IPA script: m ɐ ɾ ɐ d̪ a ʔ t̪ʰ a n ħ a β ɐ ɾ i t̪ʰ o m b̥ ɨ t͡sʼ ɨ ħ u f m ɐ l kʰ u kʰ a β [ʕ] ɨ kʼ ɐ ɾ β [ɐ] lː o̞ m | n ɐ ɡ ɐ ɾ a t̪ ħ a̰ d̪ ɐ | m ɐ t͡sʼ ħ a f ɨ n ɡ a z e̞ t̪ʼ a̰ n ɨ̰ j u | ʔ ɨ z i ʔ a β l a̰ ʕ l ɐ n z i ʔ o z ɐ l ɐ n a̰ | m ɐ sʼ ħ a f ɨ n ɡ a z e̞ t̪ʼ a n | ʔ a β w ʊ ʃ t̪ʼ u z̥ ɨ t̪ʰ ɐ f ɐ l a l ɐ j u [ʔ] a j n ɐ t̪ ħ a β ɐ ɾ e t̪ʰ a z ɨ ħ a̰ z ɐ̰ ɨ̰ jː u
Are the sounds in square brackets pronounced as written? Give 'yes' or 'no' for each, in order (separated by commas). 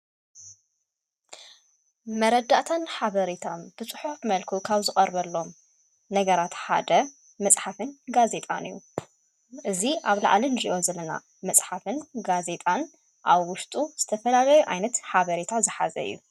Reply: no, yes, yes